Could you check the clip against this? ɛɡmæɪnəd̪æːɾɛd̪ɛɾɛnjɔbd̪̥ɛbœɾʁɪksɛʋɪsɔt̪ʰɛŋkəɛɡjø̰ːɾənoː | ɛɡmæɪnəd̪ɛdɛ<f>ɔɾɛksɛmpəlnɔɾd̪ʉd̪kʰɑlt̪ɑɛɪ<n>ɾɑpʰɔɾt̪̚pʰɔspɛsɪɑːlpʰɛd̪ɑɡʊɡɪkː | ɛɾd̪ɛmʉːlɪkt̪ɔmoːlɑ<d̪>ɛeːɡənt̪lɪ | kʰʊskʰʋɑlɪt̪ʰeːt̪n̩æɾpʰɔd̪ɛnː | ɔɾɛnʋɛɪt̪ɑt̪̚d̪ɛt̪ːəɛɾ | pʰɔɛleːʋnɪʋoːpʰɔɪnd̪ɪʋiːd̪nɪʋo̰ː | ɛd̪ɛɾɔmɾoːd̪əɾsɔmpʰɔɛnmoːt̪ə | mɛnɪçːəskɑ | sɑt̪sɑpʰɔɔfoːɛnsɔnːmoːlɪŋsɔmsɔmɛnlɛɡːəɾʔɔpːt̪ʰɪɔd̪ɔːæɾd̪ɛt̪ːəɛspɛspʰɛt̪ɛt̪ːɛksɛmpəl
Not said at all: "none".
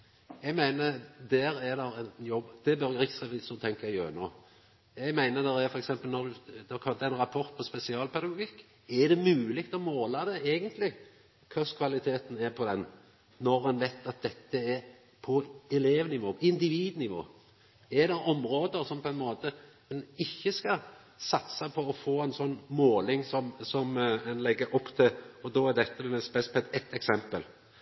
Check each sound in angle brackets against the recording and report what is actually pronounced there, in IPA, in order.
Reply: f, n, d̪

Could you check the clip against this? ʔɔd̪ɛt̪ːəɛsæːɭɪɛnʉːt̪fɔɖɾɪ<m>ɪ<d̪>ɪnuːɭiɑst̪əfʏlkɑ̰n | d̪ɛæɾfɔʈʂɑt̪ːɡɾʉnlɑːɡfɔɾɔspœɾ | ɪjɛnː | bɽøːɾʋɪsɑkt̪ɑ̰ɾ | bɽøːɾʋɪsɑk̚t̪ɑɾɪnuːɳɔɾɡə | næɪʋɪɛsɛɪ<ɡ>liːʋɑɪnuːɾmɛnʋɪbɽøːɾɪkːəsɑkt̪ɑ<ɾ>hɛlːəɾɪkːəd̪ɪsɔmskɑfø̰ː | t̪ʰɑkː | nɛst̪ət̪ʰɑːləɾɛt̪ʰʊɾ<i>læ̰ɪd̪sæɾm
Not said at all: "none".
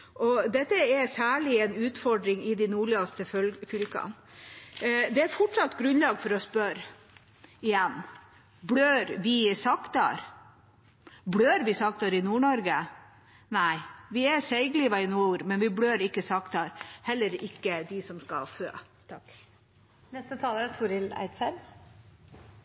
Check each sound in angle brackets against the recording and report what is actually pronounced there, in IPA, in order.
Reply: ŋ, d̪, ɡ, ɾ, ɪ

